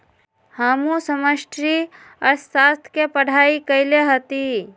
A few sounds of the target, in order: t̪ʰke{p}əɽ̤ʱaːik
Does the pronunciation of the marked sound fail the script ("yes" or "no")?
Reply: no